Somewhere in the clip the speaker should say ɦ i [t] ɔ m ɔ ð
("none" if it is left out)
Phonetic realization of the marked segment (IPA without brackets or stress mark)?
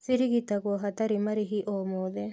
ʔ